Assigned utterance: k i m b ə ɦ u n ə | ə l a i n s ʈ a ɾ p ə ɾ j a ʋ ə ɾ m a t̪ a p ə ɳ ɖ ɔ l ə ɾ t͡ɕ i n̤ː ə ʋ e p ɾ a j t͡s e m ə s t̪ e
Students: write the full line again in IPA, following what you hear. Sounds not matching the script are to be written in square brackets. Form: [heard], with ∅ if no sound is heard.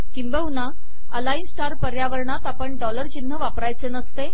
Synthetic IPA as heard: k i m b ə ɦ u n [a] | ə l a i n s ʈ a ɾ p ə ɾ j a ʋ ə ɾ [ɳ] a t̪ a p ə ɳ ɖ ɔ l ə ɾ t͡ɕ i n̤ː ə ʋ [a] p ɾ a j t͡s e [n] ə s t̪ e